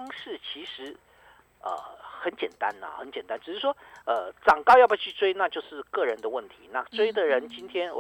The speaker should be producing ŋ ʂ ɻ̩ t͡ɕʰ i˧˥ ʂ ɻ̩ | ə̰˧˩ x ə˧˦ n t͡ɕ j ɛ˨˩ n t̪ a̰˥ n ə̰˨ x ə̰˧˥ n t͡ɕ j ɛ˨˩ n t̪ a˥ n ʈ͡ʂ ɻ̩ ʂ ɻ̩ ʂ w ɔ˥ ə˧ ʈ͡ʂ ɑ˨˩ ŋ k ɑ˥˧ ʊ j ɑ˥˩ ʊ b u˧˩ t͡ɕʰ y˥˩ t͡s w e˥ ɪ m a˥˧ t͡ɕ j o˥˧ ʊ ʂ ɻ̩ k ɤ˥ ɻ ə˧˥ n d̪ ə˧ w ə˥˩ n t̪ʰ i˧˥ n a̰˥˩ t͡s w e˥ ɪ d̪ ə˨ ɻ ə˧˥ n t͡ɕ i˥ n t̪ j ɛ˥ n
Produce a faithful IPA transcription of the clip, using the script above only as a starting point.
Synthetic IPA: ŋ ʂ ɻ̩ t͡ɕʰ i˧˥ ʂ ɻ̩ | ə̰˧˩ x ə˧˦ n t͡ɕ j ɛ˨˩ n t̪ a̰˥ n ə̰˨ x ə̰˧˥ n t͡ɕ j ɛ˨˩ n t̪ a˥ n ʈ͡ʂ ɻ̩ ʂ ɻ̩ ʂ w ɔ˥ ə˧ ʈ͡ʂ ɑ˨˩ ŋ k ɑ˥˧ ʊ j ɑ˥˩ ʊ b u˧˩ t͡ɕʰ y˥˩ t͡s w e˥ ɪ n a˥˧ t͡ɕ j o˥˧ ʊ ʂ ɻ̩ k ɤ˥˩ ɻ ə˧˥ n d̪ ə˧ w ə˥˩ n t̪ʰ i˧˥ n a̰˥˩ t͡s w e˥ ɪ d̪ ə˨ ɻ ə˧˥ n t͡ɕ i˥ n t̪ʰ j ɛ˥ n